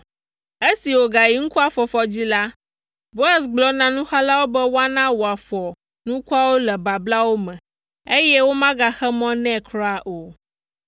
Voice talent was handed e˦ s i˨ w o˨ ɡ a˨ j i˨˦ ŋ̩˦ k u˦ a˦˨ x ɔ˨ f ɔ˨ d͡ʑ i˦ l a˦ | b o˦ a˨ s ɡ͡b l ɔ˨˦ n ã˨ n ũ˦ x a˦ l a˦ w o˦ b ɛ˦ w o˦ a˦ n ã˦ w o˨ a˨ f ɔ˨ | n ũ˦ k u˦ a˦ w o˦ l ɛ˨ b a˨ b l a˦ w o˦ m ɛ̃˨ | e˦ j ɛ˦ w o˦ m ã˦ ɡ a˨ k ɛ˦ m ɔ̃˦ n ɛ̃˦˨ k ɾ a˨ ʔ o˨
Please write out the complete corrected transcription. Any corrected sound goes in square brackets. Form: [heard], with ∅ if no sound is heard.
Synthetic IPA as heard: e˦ s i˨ w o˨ ɡ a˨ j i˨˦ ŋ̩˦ k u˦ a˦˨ [f] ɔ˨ f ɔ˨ d͡ʑ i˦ l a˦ | b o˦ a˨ s ɡ͡b l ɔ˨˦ n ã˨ n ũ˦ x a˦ l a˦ w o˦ b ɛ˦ w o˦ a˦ n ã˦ w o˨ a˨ f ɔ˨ | n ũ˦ k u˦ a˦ w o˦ l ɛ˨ b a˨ b l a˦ w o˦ m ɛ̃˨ | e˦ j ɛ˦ w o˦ m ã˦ ɡ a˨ [x] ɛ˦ m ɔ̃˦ n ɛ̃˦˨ k ɾ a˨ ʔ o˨